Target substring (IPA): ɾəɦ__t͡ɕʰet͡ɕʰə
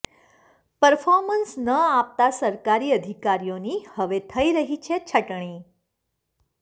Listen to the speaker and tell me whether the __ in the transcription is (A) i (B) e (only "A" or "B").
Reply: A